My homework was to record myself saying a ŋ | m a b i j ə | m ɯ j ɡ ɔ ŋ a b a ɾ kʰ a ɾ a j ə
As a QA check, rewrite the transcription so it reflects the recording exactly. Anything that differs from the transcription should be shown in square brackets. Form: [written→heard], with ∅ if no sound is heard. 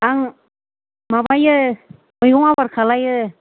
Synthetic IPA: a ŋ | m a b [i→a] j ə | m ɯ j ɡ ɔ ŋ a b a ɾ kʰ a [ɾ→l] a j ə